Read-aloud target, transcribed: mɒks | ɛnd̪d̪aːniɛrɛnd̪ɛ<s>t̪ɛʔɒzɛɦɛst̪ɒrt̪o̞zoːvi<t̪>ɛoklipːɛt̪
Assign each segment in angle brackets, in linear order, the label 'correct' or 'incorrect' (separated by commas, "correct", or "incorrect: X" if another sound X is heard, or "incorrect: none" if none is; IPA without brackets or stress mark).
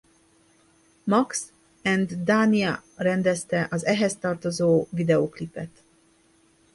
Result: correct, incorrect: d̪